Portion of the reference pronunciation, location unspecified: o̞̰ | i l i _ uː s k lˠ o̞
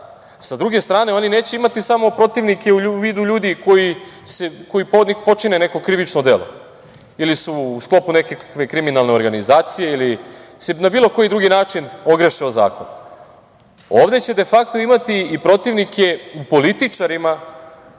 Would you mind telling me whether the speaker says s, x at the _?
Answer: s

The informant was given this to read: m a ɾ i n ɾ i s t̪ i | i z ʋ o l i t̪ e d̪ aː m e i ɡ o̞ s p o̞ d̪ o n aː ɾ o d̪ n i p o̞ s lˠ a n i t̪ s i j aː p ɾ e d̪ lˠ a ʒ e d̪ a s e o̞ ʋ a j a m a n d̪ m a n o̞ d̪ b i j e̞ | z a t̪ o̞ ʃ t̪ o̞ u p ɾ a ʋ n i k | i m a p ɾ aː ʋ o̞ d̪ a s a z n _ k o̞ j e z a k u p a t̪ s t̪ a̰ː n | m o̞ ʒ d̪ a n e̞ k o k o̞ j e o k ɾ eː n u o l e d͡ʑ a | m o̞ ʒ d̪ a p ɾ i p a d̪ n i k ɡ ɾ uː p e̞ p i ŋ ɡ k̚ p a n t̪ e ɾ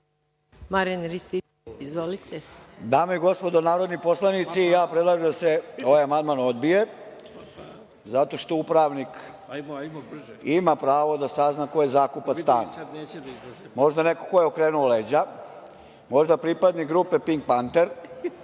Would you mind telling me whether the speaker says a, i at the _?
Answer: a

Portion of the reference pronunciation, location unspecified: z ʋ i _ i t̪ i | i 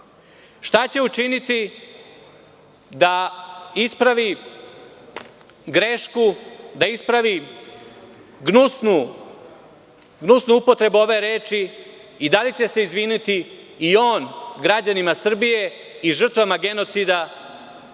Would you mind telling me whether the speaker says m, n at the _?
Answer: n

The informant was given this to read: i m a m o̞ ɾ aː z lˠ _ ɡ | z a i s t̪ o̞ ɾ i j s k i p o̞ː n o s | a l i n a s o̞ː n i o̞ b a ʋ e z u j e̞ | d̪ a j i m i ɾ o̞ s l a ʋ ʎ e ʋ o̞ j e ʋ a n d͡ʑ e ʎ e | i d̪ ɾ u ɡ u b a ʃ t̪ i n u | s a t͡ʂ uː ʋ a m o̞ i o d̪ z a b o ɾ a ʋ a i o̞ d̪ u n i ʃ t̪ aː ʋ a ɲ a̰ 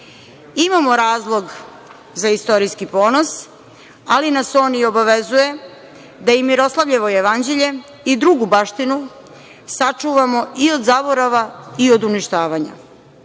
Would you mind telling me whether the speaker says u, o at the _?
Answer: o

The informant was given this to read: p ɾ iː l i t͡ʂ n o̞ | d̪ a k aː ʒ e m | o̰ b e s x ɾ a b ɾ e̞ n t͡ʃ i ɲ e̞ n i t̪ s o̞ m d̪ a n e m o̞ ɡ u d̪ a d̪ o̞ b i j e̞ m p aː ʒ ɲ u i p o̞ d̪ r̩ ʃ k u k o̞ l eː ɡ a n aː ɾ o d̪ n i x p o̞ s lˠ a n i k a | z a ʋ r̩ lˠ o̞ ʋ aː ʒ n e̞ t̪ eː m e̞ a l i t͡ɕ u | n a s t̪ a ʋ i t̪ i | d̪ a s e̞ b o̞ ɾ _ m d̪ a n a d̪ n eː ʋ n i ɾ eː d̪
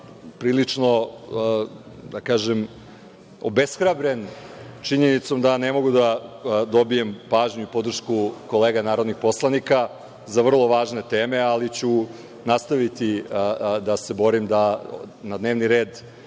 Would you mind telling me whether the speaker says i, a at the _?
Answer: i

